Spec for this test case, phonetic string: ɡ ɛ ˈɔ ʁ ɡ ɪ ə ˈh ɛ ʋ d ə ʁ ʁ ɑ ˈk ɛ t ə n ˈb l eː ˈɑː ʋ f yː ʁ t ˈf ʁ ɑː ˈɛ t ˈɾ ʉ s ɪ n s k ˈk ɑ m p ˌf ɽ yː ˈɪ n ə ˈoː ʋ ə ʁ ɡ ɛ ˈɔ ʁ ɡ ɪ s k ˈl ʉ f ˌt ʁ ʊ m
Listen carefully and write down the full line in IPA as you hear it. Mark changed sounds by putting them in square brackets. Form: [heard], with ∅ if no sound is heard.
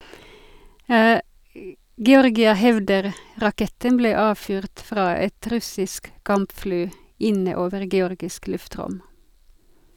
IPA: ɡ ɛ ˈɔ ʁ ɡ ɪ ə ˈh ɛ ʋ d ə ʁ ʁ ɑ ˈk ɛ t ə n ˈb l eː ˈɑː ʋ f yː ʁ t ˈf ʁ ɑː ˈɛ t ˈɾ ʉ s ɪ [∅] s k ˈk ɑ m p ˌf ɽ yː ˈɪ n ə ˈoː ʋ ə ʁ ɡ ɛ ˈɔ ʁ ɡ ɪ s k ˈl ʉ f ˌt ʁ ʊ m